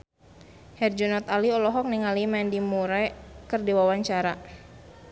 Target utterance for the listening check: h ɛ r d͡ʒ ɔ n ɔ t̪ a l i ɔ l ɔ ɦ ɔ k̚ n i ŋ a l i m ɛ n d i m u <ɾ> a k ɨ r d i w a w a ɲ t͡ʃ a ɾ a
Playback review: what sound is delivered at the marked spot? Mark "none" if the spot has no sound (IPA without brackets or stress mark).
ɾ